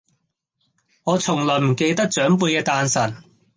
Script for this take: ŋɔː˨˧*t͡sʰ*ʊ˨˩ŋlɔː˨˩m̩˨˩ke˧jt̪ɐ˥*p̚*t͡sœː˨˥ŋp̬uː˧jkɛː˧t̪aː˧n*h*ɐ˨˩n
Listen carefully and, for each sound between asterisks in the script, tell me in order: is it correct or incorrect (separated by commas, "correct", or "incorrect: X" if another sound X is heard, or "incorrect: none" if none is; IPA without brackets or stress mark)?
correct, incorrect: k̚, incorrect: s